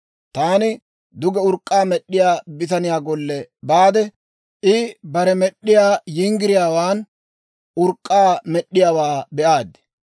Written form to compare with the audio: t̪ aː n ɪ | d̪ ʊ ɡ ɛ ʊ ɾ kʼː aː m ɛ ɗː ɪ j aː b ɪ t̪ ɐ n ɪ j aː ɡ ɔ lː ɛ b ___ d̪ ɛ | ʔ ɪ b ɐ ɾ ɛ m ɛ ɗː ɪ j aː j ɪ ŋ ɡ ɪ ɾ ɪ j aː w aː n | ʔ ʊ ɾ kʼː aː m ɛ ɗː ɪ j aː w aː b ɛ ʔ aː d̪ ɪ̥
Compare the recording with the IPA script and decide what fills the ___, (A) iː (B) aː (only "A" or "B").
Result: B